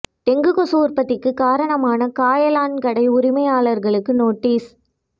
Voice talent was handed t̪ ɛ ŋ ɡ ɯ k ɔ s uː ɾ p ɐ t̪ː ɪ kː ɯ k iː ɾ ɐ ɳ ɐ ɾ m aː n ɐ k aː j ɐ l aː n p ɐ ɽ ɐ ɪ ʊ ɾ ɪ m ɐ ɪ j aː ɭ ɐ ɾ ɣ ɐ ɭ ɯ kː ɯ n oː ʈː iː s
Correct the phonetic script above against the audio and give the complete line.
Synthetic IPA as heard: t̪ ɛ ŋ ɡ ɯ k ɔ s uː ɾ p ɐ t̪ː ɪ kː ɯ k aː ɾ ɐ ɳ ɐ m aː n ɐ k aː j ɐ l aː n k ɐ ɽ ɐ ɪ ʊ ɾ ɪ m ɐ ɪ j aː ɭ ɐ ɾ ɣ ɐ ɭ ɯ kː ɯ n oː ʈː iː s